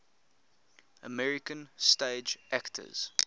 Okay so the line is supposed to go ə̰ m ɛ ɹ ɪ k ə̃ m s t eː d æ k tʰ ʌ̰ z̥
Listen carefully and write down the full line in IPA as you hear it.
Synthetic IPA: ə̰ m ɛ ɹ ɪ k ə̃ n s t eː d͡ʒ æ k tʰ ə̰ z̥